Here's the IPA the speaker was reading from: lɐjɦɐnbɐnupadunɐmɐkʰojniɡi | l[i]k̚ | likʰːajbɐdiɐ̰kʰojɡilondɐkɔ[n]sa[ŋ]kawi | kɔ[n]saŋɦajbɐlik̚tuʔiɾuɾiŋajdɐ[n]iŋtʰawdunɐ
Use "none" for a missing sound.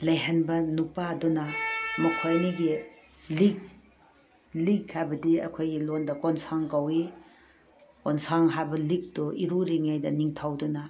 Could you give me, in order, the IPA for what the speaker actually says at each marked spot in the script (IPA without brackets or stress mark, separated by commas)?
i, n, ŋ, n, n